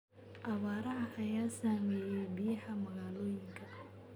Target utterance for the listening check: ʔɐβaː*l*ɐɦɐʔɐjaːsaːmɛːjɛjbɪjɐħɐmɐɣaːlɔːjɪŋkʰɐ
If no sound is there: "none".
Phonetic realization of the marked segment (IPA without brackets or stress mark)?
ɾ